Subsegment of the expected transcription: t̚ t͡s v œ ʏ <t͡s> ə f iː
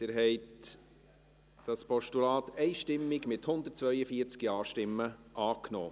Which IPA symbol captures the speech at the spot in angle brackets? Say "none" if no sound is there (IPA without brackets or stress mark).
none